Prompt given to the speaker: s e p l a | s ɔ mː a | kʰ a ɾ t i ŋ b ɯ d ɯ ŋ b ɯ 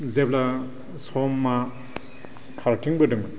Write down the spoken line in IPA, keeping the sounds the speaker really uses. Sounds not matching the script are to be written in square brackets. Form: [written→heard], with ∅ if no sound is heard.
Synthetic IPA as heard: [s→z] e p l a | s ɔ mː a | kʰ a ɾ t i ŋ b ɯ d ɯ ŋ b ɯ